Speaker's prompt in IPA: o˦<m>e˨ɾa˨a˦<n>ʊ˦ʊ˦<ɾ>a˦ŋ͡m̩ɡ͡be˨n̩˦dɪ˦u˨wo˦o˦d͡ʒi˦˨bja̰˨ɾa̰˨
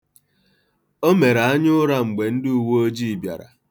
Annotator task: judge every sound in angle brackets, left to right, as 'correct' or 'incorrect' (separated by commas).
correct, incorrect, correct